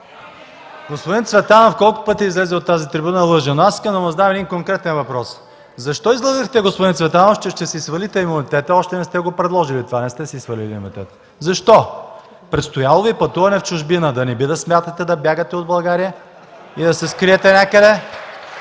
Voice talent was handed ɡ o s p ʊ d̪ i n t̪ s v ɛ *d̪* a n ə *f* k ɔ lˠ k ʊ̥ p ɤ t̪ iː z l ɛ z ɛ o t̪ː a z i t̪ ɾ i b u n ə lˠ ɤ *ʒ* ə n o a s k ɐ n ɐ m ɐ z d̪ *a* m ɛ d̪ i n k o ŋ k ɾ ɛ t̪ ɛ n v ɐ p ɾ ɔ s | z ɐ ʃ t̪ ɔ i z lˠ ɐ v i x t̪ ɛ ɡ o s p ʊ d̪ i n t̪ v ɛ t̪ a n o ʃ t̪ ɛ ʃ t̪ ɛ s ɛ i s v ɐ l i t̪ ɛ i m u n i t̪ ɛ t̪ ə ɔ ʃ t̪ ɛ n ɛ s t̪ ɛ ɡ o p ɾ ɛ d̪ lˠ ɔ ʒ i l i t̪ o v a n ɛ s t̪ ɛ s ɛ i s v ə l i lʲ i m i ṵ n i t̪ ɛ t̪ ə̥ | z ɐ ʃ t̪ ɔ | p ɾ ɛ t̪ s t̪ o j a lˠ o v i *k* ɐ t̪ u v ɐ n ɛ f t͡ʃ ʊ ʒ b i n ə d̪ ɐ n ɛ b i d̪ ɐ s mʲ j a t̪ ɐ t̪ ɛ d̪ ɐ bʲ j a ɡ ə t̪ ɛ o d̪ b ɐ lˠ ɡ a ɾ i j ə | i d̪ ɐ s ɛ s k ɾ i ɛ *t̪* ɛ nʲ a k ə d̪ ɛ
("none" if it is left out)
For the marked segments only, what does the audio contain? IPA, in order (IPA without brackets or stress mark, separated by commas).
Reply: t̪, f, ʒ, a, p, t̪